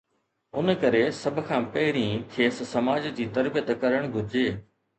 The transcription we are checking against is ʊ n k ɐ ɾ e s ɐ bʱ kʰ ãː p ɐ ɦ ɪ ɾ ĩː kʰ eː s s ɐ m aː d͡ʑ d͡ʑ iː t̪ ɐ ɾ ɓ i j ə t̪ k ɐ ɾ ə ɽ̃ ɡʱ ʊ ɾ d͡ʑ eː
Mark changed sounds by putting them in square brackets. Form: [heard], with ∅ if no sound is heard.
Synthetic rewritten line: ʊ n k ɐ ɾ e s ɐ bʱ kʰ ãː p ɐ ɦ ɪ ɾ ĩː kʰ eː s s ɐ m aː d͡ʑ d͡ʑ iː t̪ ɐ ɾ [b] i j ə t̪ k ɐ ɾ ə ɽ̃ ɡʱ ʊ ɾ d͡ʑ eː